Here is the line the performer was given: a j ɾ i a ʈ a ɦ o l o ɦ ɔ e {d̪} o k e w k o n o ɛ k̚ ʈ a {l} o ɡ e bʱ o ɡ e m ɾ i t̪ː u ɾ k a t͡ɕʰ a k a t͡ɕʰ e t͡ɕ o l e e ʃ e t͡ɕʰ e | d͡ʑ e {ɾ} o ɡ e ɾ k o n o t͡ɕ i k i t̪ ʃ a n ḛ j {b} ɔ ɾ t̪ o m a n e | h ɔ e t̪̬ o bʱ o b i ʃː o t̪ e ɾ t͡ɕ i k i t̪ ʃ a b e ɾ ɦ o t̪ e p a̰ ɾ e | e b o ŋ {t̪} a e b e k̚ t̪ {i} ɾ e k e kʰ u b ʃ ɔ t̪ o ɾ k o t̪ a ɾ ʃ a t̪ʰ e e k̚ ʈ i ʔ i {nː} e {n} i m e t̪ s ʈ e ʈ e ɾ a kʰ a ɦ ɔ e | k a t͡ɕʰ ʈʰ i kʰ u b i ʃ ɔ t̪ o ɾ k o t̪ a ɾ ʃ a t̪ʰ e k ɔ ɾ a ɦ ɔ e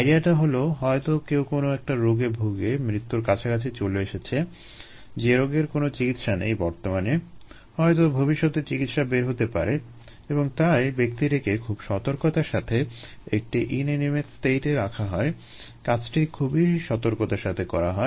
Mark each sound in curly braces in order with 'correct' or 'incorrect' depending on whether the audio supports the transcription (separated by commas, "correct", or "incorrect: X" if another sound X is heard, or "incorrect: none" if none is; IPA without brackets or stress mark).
incorrect: t̪, incorrect: ɾ, correct, correct, correct, correct, incorrect: n, correct